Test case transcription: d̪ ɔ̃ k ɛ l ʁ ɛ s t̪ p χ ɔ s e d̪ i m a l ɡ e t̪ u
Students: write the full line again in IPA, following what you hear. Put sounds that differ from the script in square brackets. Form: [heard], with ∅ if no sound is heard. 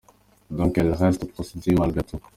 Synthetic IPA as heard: d̪ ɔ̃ k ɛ l ʁ ɛ s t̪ p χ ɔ s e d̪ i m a l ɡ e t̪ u